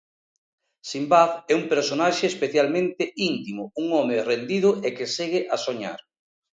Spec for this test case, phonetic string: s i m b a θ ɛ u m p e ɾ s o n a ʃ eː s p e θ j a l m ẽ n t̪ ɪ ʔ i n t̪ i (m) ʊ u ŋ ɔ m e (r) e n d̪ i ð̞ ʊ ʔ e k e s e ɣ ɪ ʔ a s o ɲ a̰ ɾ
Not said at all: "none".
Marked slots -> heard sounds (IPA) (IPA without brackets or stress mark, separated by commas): m, r